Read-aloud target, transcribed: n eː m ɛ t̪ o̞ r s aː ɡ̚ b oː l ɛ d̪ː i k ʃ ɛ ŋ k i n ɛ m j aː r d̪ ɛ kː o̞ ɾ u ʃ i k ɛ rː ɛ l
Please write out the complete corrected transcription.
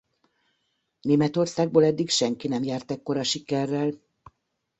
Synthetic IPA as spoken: n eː m ɛ t̪ o̞ r s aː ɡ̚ b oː l ɛ d̪ː i k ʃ ɛ ŋ k i n ɛ m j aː r t̪ ɛ kː o̞ ɾ ɒ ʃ i k ɛ rː ɛ l